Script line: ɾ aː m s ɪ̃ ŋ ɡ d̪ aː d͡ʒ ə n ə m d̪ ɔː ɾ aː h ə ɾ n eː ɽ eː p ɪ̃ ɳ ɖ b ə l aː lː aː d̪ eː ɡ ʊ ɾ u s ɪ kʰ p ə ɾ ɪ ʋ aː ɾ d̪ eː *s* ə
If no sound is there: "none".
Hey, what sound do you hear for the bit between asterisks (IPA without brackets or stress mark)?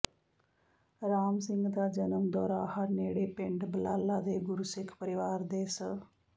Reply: s